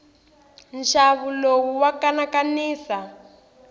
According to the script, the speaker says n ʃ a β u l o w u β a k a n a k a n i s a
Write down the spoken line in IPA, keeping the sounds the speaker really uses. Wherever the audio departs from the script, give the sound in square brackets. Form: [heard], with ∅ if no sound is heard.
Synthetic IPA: n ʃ a β u l o w u [w] a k a n a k a n [iː] s a